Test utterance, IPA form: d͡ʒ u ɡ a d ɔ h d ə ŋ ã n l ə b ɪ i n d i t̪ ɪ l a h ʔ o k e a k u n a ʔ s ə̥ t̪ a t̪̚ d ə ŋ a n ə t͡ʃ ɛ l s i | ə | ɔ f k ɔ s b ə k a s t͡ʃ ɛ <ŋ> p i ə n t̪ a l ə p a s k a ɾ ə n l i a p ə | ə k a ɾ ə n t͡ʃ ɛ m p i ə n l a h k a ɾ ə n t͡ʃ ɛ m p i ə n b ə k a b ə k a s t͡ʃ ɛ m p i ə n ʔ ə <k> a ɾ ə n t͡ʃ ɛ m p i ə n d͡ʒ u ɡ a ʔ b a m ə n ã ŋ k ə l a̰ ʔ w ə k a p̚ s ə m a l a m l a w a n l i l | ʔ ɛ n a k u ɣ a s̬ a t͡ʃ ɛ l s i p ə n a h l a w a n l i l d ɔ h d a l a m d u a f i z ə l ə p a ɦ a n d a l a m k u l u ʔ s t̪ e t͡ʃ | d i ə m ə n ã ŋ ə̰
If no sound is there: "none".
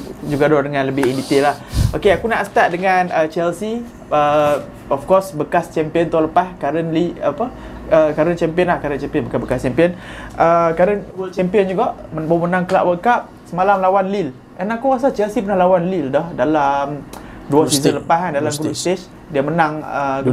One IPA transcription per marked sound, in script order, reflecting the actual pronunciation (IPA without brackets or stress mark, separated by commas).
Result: m, k